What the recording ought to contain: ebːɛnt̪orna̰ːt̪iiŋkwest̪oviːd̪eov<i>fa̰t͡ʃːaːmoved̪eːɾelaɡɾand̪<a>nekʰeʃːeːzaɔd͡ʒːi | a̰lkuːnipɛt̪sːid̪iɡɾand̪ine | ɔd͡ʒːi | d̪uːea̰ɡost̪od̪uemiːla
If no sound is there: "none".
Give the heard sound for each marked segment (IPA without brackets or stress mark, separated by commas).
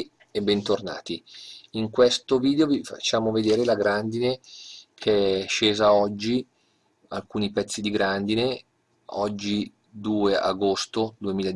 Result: i, i